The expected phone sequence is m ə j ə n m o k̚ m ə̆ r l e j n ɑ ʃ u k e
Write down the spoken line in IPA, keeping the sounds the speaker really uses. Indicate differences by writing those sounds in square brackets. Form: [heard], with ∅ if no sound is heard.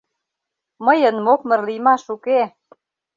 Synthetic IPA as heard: m ə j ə n m o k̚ m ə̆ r l [i] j [m] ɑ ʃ u k e